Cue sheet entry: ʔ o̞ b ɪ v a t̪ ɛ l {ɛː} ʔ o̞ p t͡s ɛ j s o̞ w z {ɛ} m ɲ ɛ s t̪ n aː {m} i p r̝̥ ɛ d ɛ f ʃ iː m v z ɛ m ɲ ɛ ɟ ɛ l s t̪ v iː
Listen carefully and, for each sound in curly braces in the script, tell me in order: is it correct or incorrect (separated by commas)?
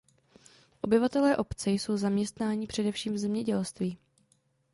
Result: correct, incorrect, incorrect